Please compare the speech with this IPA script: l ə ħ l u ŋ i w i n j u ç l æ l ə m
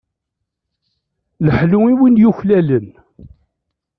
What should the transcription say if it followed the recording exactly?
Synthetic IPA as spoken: l ə ħ l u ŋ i w i n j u ç l æ l ə n